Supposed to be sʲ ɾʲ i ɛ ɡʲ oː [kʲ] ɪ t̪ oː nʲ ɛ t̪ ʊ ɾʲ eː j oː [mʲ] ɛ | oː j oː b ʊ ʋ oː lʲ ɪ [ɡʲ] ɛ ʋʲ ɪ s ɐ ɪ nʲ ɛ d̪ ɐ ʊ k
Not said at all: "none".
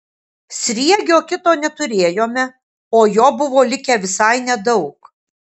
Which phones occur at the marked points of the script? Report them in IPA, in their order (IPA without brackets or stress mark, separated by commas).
kʲ, mʲ, kʲ